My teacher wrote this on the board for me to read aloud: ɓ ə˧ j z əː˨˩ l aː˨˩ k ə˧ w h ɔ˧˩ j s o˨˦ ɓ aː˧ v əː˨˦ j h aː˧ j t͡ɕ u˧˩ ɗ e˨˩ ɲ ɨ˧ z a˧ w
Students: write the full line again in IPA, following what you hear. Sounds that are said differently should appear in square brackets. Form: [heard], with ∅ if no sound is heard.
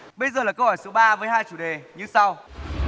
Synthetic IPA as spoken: ɓ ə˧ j z əː˨˩ l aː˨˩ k ə˧ w h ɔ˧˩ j s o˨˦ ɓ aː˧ v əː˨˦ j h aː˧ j t͡ɕ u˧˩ ɗ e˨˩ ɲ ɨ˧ [s] a˧ w